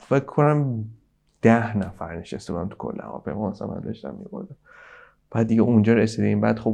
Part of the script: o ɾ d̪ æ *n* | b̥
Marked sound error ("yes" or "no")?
yes